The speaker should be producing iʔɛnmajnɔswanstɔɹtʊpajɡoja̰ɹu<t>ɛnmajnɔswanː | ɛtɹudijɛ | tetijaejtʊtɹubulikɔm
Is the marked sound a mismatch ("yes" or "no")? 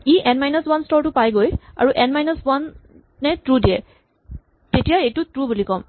yes